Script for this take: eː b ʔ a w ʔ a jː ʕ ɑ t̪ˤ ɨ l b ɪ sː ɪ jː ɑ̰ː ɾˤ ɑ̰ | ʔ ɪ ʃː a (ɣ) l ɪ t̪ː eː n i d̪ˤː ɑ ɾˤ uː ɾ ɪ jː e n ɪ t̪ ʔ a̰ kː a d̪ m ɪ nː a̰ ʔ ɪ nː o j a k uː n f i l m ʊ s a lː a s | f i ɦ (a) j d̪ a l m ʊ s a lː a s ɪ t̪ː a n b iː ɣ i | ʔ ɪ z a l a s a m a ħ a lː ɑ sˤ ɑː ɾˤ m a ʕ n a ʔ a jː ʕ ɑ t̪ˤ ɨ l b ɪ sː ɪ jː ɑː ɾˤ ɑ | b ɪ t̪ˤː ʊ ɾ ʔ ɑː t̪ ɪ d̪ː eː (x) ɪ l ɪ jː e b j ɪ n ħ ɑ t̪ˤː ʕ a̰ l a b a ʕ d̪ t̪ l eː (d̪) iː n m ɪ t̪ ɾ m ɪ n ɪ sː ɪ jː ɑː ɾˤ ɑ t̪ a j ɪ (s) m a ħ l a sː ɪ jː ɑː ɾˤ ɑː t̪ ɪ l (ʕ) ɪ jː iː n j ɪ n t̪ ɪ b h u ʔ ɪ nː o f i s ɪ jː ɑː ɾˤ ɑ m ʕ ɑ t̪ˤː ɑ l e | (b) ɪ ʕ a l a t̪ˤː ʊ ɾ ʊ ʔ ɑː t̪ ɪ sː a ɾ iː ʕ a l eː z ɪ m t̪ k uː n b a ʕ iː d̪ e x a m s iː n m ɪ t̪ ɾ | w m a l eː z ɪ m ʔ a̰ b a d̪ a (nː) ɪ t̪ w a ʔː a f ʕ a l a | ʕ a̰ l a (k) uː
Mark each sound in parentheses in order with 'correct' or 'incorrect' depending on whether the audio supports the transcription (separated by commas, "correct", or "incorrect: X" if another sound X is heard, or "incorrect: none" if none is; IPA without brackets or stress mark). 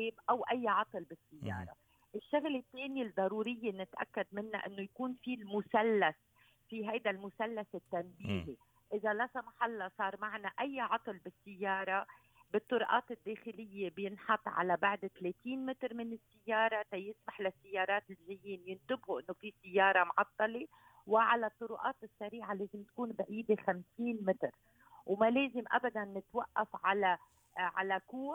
correct, correct, correct, incorrect: t̪, correct, incorrect: ʒ, incorrect: w, correct, correct